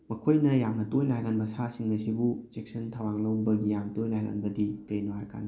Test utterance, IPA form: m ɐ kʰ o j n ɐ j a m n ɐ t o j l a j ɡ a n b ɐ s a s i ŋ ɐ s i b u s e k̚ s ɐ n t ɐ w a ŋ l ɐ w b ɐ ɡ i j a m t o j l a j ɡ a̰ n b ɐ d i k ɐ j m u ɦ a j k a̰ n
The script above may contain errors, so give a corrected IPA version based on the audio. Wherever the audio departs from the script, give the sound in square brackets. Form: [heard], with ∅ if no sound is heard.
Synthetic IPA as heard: m ɐ kʰ o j n ɐ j a m n ɐ t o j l a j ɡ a n b ɐ s a s i ŋ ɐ s i b u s e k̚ s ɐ n [tʰ] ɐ w a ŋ l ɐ w b ɐ ɡ i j a m t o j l a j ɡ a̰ n b ɐ d i k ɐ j [n] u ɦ a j k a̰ n